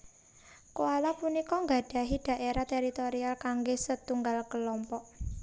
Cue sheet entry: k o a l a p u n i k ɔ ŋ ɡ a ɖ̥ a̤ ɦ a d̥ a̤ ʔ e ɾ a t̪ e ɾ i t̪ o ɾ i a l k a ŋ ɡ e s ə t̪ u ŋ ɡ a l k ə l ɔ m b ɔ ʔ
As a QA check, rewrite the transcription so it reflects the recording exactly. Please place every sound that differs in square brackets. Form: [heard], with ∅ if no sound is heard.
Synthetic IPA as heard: k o a l a p u n i k ɔ ŋ ɡ a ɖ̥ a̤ ɦ [i] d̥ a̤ ʔ e ɾ a t̪ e ɾ i t̪ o ɾ i a l k a ŋ ɡ e s ə t̪ u ŋ ɡ a l k ə l ɔ m [p] ɔ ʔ